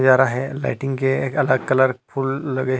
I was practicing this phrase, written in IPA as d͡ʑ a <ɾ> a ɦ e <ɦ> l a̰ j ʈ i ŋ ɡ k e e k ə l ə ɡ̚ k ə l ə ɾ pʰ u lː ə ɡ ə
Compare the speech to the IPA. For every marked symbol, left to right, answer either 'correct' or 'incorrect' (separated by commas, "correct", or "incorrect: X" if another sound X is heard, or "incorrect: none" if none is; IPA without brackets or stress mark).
correct, incorrect: none